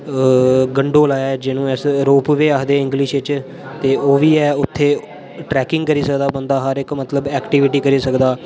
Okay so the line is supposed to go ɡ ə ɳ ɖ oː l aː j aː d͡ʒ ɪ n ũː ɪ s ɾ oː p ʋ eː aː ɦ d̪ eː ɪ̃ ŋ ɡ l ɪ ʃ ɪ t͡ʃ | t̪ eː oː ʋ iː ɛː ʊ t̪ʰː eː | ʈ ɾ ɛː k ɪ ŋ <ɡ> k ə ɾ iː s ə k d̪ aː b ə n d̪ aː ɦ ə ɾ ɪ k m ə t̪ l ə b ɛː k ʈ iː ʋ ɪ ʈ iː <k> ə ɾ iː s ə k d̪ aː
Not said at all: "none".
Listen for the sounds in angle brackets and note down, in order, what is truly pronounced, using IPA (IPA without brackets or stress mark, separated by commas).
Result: ɡ, k